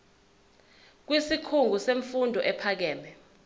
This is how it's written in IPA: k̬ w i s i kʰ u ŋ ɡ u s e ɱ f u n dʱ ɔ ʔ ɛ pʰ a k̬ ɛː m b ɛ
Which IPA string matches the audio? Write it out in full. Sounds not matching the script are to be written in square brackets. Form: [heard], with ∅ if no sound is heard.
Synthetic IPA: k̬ w i s i kʰ u ŋ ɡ u s e ɱ f u n dʱ ɔ ʔ ɛ pʰ a k̬ ɛː m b ɛ